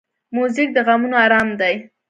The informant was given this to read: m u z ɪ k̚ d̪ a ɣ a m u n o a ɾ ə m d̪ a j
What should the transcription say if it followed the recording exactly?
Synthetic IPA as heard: m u z ɪ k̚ d̪ ə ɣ a m u n o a ɾ ɑ m d̪ a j